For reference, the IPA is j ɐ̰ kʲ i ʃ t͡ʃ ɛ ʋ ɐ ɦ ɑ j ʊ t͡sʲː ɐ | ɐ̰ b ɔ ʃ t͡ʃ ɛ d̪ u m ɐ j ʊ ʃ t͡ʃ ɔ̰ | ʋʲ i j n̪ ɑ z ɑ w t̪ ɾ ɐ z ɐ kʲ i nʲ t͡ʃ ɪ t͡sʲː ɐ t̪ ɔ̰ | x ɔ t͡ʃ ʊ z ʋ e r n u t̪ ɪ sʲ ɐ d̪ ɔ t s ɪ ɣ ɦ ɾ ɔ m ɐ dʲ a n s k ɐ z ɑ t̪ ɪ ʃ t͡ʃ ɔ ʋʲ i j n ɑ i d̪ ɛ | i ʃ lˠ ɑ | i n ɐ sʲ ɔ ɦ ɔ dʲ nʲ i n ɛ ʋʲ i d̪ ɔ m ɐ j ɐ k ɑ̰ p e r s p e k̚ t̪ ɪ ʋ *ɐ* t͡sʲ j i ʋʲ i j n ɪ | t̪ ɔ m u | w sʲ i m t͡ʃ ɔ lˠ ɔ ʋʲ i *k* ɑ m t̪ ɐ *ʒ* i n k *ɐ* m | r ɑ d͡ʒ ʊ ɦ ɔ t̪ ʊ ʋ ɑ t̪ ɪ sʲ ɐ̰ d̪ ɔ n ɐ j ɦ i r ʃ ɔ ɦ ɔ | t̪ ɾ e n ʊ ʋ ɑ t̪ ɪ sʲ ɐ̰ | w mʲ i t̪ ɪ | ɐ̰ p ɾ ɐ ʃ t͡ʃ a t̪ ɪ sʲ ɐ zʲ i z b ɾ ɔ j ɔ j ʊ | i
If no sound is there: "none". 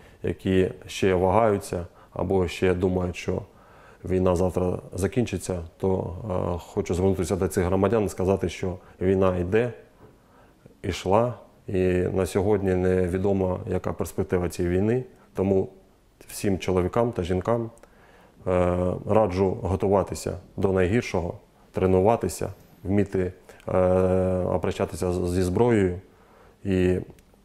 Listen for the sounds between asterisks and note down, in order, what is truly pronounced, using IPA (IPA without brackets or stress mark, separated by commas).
ɐ, k, ʒ, ɑ